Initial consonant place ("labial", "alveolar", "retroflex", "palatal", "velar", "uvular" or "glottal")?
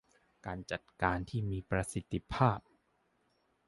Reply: velar